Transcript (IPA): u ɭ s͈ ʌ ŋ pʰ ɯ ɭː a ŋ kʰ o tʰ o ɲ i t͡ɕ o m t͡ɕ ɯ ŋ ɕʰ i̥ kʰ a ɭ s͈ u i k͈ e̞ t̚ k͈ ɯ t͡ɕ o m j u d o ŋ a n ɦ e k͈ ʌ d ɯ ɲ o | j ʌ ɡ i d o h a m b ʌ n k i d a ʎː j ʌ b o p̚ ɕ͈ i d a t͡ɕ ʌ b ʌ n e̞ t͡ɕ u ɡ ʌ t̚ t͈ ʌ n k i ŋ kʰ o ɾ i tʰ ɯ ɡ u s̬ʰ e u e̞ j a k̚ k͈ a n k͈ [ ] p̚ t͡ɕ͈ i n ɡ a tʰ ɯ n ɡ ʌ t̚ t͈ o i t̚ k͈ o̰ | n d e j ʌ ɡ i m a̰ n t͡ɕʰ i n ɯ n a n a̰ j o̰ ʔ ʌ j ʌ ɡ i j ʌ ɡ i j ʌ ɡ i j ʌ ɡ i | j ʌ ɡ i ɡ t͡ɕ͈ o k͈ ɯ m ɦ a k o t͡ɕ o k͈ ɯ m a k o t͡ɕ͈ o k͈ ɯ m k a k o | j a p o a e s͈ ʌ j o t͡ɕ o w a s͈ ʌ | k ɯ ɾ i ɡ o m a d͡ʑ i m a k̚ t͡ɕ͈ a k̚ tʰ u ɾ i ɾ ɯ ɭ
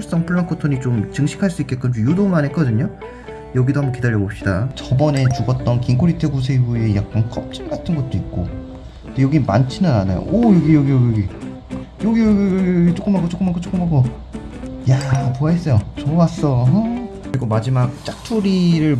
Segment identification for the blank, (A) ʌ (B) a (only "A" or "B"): A